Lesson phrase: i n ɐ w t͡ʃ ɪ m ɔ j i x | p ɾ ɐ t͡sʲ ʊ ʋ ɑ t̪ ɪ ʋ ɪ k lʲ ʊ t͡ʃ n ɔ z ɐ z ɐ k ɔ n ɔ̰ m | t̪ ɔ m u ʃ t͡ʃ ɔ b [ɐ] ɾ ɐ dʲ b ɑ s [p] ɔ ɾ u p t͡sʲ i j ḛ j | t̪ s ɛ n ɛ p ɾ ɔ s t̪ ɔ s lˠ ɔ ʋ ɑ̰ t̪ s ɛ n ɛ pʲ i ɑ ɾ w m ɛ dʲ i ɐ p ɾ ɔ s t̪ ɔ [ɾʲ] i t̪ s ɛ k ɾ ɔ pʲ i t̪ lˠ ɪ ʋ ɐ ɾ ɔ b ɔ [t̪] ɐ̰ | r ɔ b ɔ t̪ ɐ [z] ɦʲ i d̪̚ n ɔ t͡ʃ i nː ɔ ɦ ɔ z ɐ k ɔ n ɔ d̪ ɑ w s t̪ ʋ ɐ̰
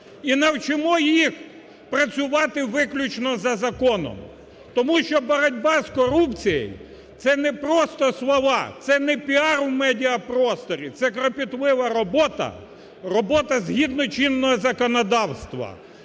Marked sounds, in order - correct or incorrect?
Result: correct, incorrect: k, correct, correct, correct

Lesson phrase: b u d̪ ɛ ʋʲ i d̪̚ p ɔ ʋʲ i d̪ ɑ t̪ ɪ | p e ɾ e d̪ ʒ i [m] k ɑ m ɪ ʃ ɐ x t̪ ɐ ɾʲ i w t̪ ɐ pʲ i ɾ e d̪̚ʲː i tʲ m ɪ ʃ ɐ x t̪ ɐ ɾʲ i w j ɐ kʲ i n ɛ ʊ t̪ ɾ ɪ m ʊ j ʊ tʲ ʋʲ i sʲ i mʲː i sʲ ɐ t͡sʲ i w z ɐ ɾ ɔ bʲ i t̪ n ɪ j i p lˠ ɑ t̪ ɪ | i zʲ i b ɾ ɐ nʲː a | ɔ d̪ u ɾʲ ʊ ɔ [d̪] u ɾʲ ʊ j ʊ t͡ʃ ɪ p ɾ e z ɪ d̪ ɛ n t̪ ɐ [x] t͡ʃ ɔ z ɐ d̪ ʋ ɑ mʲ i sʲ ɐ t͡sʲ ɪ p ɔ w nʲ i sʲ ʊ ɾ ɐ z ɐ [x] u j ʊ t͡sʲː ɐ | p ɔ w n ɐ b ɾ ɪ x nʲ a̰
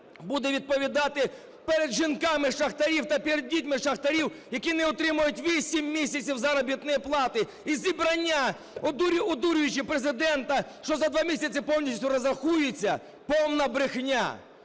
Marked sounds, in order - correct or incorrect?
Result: incorrect: n, correct, incorrect: ʃ, correct

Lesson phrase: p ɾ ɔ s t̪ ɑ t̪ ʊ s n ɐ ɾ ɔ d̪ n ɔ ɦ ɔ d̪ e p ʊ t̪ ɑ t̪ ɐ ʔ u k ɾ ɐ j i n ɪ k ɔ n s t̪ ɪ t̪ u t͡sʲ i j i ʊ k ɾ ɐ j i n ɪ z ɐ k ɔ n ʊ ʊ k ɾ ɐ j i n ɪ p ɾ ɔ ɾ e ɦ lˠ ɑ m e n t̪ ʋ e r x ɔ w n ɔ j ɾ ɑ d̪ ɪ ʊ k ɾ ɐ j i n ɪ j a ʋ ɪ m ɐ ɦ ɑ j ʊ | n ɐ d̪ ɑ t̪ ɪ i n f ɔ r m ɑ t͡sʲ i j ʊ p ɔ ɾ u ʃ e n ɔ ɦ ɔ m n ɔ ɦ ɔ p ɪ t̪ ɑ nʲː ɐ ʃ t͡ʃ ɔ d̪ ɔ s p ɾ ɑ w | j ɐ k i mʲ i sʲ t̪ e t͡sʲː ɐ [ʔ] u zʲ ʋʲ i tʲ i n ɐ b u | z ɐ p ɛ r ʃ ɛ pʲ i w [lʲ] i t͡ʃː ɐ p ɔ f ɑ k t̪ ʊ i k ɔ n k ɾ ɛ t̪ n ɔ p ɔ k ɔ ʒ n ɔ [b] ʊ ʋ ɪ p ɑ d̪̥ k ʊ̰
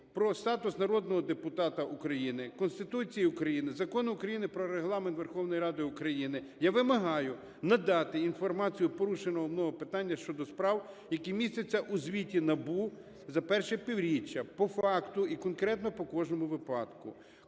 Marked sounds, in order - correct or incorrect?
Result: correct, incorrect: ɾʲ, incorrect: m

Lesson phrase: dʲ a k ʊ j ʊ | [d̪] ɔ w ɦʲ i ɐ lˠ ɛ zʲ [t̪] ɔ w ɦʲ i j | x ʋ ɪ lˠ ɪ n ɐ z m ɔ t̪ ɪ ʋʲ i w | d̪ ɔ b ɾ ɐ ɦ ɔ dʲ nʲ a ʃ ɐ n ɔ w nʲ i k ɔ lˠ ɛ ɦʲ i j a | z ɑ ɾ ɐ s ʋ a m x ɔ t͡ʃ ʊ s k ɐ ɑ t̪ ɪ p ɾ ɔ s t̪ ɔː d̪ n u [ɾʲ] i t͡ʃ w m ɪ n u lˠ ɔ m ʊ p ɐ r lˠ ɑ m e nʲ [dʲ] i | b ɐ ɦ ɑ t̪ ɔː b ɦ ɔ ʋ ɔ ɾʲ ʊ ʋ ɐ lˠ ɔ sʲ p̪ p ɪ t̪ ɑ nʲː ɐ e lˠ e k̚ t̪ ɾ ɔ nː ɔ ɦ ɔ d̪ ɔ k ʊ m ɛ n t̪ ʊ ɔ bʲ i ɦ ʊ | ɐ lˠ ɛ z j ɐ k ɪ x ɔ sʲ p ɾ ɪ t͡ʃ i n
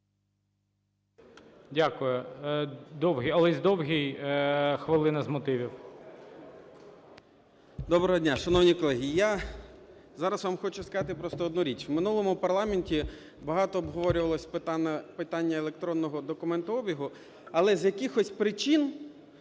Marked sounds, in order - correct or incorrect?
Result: correct, incorrect: d̪, correct, incorrect: tʲ

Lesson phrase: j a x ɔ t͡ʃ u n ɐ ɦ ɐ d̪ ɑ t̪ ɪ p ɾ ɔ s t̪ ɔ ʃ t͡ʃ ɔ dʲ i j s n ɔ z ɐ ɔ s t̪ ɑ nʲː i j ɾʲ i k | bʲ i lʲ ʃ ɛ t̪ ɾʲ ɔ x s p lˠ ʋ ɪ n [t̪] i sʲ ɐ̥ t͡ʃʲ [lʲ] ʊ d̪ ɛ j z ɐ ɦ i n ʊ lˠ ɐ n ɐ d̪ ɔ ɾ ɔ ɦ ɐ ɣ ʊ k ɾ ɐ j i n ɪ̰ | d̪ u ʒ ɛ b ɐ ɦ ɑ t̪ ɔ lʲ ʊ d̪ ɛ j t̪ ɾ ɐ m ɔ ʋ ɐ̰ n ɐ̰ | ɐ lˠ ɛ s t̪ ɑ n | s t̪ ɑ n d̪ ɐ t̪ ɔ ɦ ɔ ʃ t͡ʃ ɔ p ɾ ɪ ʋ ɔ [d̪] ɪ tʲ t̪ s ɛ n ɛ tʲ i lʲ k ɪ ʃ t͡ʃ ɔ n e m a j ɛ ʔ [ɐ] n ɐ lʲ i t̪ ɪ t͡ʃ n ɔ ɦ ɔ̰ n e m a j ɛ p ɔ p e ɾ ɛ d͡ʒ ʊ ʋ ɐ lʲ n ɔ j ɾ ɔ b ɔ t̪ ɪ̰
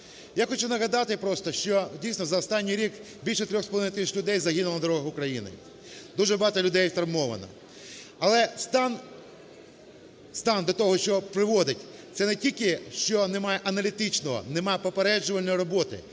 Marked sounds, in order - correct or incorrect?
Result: correct, correct, correct, correct

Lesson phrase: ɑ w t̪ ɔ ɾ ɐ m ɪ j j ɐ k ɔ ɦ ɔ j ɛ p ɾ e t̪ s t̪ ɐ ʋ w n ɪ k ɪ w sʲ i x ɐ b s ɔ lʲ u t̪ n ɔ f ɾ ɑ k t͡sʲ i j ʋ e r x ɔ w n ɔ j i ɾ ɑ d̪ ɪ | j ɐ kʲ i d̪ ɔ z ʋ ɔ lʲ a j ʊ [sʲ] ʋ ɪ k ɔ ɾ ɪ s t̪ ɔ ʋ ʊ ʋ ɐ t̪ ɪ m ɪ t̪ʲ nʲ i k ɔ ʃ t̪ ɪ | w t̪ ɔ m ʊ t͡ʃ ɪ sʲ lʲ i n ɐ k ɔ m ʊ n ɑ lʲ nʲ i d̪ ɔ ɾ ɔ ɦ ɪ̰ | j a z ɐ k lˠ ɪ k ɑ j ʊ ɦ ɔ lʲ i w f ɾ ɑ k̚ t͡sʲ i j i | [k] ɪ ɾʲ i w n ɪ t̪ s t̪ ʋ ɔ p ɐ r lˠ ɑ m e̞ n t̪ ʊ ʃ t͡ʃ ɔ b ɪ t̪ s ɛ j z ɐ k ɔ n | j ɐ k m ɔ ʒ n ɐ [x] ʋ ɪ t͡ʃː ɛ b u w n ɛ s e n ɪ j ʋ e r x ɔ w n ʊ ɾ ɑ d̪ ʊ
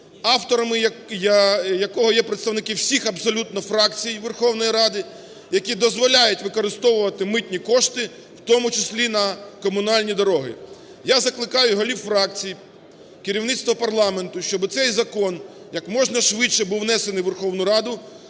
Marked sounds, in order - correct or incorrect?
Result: incorrect: tʲ, correct, incorrect: ʃ

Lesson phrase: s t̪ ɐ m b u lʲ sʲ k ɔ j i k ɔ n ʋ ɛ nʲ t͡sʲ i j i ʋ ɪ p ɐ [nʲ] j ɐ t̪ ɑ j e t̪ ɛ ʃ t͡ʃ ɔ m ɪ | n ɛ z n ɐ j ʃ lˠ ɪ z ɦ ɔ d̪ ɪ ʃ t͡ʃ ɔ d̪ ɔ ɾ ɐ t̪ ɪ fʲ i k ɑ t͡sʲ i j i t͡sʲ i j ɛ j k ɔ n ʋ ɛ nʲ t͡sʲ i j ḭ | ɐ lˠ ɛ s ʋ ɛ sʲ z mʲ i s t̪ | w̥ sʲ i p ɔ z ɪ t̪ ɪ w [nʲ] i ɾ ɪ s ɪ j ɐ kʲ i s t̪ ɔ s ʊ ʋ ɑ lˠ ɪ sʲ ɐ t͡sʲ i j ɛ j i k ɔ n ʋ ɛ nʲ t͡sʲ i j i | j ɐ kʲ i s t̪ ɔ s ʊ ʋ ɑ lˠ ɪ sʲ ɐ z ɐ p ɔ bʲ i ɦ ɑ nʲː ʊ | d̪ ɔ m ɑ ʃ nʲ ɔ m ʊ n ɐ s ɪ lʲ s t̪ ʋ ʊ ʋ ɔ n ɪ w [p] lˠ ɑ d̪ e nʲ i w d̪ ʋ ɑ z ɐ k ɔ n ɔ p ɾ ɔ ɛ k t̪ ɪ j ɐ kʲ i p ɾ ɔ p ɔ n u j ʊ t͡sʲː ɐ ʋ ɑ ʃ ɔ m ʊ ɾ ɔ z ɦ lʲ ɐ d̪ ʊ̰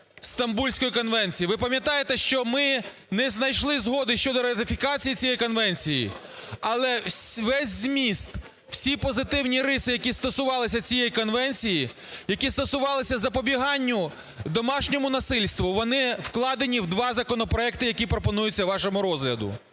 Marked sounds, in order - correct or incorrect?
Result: incorrect: mʲ, correct, incorrect: k

